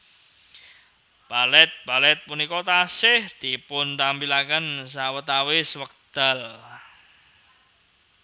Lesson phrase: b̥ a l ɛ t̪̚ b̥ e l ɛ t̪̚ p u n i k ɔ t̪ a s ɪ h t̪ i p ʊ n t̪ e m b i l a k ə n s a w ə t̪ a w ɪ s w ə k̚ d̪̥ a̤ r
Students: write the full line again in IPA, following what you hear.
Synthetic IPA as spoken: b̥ a l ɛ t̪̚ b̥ a l ɛ t̪̚ p u n i k ɔ t̪ a s ɪ h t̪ i p ʊ n t̪ a m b i l a k ə n s a w ə t̪ a w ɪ s w ə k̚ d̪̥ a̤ l